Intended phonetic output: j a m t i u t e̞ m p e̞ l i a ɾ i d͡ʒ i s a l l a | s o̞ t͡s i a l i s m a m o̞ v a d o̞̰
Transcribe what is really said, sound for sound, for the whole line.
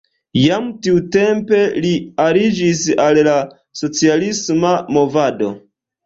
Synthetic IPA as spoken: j a m t i u t e̞ m p e̞ l i a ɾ i d͡ʒ i s a l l a | s o̞ t͡s i a l i s m a m o̞ v a d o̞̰

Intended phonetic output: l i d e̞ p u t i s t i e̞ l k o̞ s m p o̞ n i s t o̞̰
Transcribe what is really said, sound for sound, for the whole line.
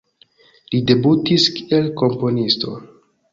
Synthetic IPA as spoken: l i d e̞ b u t i s k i e̞ l k o̞ m p o̞ n i s t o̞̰

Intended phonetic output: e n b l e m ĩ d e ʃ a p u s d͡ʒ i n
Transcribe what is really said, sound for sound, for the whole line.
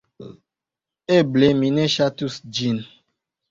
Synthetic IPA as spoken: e b l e m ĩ n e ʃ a t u s d͡ʒ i n

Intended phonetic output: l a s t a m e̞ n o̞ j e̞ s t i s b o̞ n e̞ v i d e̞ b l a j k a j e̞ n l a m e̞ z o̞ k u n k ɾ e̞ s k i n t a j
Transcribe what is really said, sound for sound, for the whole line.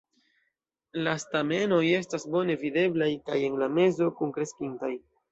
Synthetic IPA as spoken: l a s t a m e̞ n o̞ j e̞ s t a s b o̞ n e̞ v i d e̞ b l a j k a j e̞ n l a m e̞ z o̞ k u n k ɾ e̞ s k i n t a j

